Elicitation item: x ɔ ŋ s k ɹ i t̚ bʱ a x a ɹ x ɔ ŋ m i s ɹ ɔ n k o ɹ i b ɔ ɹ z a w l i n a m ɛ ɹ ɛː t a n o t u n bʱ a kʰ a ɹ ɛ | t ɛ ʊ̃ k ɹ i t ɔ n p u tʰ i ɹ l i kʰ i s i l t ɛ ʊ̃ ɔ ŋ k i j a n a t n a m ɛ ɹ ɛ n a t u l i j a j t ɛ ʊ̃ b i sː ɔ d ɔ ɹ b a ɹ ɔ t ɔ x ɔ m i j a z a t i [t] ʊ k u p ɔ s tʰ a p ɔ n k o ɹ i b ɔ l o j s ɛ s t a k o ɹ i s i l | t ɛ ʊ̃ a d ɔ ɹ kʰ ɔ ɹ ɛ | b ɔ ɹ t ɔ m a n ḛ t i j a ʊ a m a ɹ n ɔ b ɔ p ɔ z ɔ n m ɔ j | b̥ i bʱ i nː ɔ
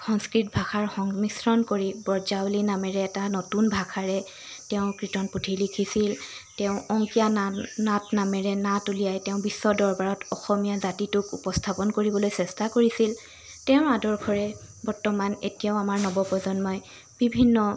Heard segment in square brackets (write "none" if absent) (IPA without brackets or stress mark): t